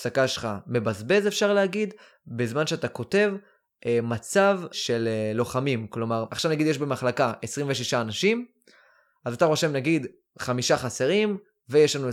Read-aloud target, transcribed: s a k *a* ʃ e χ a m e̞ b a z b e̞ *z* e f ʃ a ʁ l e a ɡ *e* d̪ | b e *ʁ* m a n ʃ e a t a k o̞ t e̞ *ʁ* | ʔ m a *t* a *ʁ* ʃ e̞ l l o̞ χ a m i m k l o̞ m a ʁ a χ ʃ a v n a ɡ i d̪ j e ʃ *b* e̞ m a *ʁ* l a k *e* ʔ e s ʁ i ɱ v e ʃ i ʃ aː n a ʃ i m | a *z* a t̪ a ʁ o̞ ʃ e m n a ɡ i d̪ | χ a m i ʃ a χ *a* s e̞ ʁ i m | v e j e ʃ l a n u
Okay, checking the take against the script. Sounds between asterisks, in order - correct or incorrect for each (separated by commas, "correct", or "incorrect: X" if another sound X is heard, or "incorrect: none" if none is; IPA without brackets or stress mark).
correct, correct, incorrect: i, incorrect: z, incorrect: v, incorrect: t͡s, incorrect: v, correct, incorrect: χ, incorrect: a, correct, correct